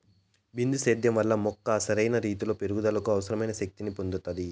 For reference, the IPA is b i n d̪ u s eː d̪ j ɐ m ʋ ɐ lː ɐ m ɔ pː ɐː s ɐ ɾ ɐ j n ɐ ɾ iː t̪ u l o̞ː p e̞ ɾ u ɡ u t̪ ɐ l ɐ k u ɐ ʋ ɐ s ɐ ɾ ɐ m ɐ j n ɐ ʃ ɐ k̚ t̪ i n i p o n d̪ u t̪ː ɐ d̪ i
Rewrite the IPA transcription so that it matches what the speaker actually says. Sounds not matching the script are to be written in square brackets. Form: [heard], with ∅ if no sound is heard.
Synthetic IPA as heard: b i n d̪ u s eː d̪ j ɐ m ʋ ɐ lː ɐ m ɔ [kː] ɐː s ɐ ɾ ɐ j n ɐ ɾ iː t̪ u l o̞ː p e̞ ɾ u ɡ u [d̪] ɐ l ɐ k u ɐ ʋ ɐ s ɐ ɾ ɐ m ɐ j n ɐ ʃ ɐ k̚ t̪ i n i p o n d̪ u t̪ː ɐ d̪ i